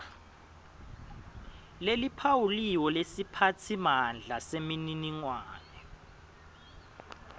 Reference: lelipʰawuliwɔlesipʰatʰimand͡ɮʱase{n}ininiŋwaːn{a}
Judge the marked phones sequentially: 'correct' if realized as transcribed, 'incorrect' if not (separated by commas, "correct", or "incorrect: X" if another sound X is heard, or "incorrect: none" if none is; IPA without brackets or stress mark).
incorrect: m, incorrect: ɛ